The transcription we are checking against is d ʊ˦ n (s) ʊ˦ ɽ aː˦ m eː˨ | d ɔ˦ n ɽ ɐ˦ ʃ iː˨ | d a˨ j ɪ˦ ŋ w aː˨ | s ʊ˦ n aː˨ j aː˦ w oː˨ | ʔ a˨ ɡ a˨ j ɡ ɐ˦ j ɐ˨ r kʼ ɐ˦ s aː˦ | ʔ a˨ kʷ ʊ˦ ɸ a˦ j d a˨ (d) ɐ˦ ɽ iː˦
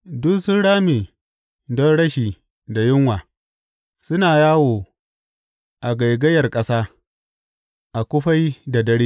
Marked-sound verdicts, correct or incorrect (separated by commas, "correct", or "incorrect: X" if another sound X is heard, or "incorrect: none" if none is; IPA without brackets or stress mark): correct, correct